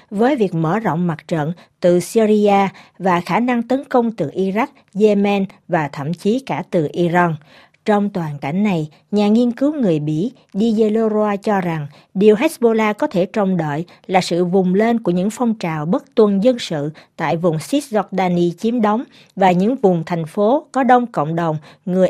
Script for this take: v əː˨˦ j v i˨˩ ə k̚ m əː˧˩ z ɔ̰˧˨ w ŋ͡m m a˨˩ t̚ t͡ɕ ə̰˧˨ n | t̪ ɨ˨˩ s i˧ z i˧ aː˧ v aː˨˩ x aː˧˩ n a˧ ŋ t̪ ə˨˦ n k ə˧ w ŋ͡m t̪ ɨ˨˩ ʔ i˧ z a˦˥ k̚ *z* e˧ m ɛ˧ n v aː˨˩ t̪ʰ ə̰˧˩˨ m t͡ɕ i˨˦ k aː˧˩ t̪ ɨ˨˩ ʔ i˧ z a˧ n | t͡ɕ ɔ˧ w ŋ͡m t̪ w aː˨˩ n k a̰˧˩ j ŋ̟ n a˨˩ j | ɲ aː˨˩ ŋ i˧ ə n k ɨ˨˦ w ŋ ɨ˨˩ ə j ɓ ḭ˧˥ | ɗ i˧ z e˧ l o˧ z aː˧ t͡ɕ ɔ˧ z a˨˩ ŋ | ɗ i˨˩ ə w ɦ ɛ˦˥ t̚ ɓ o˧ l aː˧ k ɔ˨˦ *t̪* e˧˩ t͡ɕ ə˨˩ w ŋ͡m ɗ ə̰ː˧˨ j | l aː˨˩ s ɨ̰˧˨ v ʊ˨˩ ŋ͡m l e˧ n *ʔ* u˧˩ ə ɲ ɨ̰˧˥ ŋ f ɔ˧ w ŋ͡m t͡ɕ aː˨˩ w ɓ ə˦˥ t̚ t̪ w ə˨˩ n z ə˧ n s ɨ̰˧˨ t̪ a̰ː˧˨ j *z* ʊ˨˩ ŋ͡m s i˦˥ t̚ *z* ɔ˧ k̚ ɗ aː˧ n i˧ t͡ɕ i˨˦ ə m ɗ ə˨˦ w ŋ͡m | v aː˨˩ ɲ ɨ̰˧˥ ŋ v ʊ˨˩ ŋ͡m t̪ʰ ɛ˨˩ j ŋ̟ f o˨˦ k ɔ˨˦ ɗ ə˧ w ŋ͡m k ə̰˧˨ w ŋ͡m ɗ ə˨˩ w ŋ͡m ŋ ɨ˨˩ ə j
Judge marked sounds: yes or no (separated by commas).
yes, no, no, no, yes